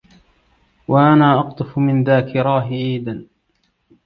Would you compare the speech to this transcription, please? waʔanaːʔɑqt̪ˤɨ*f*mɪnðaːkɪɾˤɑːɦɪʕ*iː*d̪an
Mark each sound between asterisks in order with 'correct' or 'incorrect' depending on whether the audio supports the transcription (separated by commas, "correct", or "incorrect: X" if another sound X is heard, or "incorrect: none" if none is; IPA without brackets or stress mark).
correct, correct